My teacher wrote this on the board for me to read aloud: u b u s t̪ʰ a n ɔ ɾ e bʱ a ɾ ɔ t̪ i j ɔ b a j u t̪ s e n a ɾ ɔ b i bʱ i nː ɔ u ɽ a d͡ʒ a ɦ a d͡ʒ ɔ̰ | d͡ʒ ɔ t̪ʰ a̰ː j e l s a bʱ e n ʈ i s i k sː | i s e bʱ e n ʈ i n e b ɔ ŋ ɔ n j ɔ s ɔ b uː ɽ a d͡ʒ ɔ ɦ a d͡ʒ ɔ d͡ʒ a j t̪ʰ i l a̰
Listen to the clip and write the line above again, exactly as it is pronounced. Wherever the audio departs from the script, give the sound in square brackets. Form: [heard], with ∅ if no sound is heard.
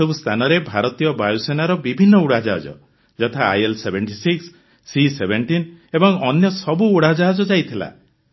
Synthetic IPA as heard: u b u s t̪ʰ a n ɔ ɾ e bʱ a ɾ ɔ t̪ i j ɔ b a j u [∅] s e n a ɾ ɔ b i bʱ i nː ɔ u ɽ a d͡ʒ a ɦ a d͡ʒ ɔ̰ | d͡ʒ ɔ t̪ʰ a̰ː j e l s [e] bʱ e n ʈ i s i k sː | i s e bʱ e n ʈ i n e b ɔ ŋ ɔ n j ɔ s ɔ b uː ɽ a d͡ʒ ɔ ɦ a d͡ʒ ɔ d͡ʒ a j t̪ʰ i l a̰